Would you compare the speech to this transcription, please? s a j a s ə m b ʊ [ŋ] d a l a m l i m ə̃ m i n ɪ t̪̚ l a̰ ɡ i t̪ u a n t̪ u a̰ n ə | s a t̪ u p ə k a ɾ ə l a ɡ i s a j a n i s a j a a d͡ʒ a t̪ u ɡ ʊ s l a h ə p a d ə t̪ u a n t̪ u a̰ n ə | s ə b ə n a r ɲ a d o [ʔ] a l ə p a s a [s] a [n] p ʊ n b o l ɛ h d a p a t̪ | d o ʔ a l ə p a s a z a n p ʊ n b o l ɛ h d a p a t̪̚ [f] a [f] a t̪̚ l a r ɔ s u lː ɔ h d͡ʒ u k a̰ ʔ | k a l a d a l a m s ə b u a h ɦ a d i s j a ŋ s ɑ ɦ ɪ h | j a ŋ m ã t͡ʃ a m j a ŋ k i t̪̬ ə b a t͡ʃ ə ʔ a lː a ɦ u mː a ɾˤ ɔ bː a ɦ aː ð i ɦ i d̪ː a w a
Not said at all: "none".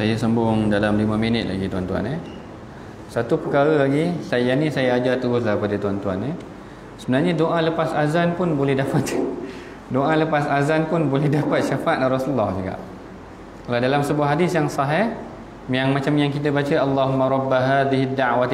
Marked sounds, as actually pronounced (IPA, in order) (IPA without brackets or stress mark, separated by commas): ŋ, ʔ, z, n, ʃ, f